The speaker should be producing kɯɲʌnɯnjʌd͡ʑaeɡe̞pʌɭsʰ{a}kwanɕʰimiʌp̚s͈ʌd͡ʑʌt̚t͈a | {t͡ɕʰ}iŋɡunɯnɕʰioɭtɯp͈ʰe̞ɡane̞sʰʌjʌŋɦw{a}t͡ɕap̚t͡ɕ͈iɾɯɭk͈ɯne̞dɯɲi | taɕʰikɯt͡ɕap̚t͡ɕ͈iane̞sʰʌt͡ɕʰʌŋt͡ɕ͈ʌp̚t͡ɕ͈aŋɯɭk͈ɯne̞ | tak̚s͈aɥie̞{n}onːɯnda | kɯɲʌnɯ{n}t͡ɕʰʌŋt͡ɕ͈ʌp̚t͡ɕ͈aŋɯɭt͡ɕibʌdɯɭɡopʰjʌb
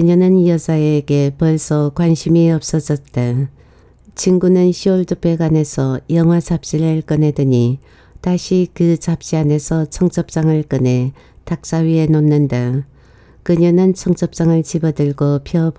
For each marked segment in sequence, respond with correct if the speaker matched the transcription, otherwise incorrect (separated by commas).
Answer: incorrect, correct, correct, correct, correct